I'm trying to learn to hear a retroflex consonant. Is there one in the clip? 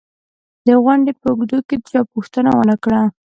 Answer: yes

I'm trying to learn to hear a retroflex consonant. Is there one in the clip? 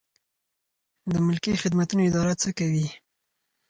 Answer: no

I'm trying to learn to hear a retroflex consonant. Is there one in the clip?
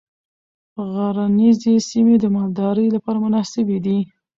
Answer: no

